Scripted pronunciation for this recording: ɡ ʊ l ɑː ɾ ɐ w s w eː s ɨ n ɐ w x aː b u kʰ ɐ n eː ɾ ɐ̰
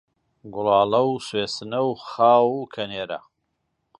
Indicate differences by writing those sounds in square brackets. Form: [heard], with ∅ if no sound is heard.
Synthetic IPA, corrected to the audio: ɡ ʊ l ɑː [l] ɐ w s w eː s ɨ n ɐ w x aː [w] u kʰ ɐ n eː ɾ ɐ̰

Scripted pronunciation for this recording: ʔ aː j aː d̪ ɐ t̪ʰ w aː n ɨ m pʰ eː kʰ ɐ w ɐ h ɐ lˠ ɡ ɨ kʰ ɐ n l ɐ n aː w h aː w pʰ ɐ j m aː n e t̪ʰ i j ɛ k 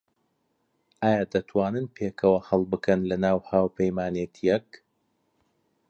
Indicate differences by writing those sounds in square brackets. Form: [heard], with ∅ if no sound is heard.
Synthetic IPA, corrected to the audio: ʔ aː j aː d̪ ɐ t̪ʰ w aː n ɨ [n] pʰ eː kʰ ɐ w ɐ h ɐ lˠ [b] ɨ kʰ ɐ n l ɐ n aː w h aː w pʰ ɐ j m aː n e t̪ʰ i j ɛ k

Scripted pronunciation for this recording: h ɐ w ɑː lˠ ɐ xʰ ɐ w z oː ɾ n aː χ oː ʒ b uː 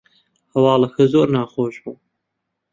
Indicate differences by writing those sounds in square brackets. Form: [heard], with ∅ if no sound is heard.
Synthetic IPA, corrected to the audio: h ɐ w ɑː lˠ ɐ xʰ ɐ [∅] z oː ɾ n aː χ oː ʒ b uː

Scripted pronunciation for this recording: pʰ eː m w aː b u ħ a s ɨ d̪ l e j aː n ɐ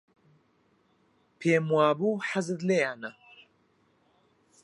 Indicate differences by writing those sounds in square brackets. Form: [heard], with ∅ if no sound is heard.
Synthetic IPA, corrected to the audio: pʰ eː m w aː b u ħ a [z] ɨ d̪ l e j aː n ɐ

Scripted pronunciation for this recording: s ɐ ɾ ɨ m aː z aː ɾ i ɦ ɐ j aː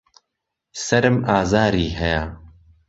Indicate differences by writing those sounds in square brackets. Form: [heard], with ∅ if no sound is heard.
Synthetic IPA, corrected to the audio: s ɐ ɾ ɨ m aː z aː ɾ [iː] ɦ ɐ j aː

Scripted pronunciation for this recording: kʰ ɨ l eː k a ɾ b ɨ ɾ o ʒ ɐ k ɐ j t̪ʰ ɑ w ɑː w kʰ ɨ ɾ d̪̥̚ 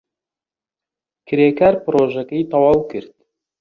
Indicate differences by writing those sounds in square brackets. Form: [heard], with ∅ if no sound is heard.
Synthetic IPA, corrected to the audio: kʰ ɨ [ɾ] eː k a ɾ [p] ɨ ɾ o ʒ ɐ k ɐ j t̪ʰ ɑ w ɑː w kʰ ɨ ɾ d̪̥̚

